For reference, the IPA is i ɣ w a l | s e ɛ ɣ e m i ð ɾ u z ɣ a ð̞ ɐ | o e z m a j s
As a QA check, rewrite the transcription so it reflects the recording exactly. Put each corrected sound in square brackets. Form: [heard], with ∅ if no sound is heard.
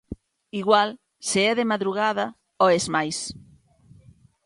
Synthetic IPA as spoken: i ɣ w a l | s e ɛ [ð] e m [a] ð ɾ u [∅] ɣ a ð̞ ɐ | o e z m a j s

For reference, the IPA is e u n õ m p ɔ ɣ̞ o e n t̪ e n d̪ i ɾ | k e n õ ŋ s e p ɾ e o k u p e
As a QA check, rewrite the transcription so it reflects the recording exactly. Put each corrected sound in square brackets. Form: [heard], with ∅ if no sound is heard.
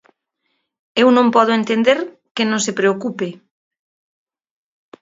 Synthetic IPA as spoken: e [w] n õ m p ɔ [ð̞] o e n t̪ e n d̪ [e] ɾ | k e n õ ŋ s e p ɾ e o k u p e

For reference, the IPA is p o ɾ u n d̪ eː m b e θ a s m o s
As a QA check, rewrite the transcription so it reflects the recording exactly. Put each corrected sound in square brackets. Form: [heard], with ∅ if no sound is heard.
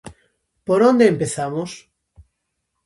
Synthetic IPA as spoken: p o ɾ [o] n d̪ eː m [p] e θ a [∅] m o s

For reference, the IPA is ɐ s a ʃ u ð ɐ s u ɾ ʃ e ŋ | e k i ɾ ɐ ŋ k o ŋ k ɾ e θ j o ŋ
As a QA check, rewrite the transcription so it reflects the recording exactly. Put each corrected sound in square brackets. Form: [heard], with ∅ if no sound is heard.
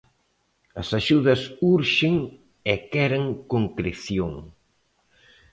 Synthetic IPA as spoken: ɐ s a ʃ u ð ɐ s u ɾ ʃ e ŋ | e k [ɛ] ɾ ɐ ŋ k o ŋ k ɾ e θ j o ŋ

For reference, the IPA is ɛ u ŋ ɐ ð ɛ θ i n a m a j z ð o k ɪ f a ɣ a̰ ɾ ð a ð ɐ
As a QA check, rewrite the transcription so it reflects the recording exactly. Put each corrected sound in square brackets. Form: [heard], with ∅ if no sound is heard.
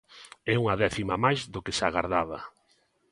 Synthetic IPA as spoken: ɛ u ŋ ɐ ð ɛ θ i [m] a m a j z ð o k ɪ [s] a ɣ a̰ ɾ ð a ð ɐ

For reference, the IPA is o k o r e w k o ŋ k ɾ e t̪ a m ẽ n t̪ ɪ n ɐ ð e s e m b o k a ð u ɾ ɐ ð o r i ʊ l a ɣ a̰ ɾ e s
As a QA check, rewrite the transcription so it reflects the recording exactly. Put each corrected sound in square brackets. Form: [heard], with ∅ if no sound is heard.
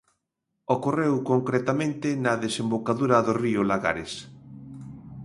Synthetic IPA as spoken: o k o r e w k o ŋ k ɾ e t̪ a m ẽ n t̪ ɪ n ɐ ð e s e m b o k a ð u ɾ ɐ ð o r i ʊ l a ɣ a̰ ɾ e s

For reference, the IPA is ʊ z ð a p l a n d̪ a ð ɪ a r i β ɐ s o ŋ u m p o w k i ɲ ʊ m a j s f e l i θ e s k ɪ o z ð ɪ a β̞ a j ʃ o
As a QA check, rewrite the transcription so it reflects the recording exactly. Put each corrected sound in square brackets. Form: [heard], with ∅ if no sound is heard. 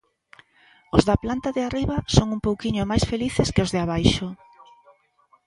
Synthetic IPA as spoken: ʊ z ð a p l a n [t̪] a ð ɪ a r i β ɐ s o ŋ u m p o w k i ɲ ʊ m a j s f e l i θ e s k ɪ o z ð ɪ a β̞ a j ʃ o

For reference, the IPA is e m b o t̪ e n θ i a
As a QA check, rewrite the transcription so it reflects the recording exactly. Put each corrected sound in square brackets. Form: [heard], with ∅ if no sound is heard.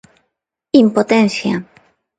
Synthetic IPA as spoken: [i] m [p] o t̪ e n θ [j] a

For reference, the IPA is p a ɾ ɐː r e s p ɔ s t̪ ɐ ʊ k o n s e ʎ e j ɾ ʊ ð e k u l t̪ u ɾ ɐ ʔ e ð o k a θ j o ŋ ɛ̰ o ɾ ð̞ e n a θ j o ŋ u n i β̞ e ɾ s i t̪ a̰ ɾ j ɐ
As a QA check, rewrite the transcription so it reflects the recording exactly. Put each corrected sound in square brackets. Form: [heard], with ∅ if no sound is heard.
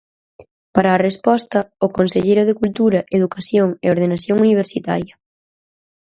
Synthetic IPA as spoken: p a ɾ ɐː r e s p ɔ s t̪ ɐ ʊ k o n s e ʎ e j ɾ ʊ ð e k u l t̪ u ɾ ɐ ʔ e ð [u] k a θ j o ŋ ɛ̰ o ɾ ð̞ e n a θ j o ŋ u n i β̞ e ɾ s i t̪ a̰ ɾ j ɐ

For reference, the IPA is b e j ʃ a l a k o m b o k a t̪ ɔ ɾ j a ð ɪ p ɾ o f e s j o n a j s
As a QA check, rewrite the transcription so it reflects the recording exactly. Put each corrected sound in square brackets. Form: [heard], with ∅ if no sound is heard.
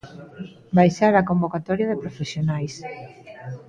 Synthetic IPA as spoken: b [a] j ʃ a [ɾ] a k o m b o k a t̪ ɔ ɾ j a ð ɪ p ɾ o f e s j o n a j s

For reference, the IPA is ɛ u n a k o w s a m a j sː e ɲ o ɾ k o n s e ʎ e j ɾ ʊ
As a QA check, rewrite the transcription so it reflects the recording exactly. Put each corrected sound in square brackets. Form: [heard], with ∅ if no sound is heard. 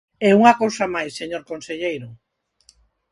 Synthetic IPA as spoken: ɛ u [ŋ] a k o w s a m a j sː e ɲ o ɾ k o n s e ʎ e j ɾ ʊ

